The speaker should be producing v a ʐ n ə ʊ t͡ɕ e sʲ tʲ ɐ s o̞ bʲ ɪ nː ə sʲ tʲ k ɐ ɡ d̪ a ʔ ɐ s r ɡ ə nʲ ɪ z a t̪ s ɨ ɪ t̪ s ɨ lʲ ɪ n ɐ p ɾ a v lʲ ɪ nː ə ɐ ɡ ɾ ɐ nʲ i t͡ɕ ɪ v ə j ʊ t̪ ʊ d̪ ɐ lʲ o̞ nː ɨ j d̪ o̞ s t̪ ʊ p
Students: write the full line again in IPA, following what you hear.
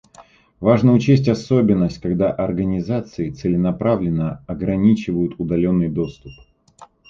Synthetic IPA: v a ʐ n ə ʊ t͡ɕ e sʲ tʲ ɐ s o̞ bʲ ɪ nː ə sʲ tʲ k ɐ ɡ d̪ a ʔ ɐ r ɡ ə nʲ ɪ z a t̪ s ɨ ɪ t̪ s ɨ lʲ ɪ n ɐ p ɾ a v lʲ ɪ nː ə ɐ ɡ ɾ ɐ nʲ i t͡ɕ ɪ v ə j ʊ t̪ ʊ d̪ ɐ lʲ o̞ nː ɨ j d̪ o̞ s t̪ ʊ p